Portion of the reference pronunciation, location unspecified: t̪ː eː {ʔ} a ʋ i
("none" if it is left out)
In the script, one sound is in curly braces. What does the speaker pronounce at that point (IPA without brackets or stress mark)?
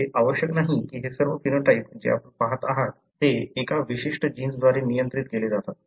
k